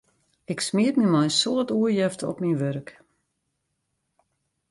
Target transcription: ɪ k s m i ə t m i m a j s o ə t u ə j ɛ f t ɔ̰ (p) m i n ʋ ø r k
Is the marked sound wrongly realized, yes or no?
no